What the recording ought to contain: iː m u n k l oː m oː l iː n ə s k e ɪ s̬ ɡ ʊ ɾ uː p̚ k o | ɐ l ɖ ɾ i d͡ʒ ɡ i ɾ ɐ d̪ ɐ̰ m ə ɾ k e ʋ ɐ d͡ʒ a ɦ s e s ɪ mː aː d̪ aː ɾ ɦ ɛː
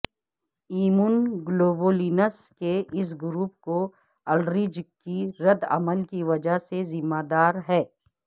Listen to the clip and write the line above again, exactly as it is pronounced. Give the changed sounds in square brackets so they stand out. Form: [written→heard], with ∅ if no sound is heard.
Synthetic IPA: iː m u n [k→ɡ] l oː [m→b] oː l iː n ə s k e ɪ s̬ ɡ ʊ ɾ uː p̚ k o | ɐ l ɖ ɾ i d͡ʒ [ɡ→k] i ɾ ɐ d̪ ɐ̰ m ə [ɾ→l] k [e→i] ʋ ɐ d͡ʒ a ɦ s e [s→z] ɪ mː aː d̪ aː ɾ ɦ ɛː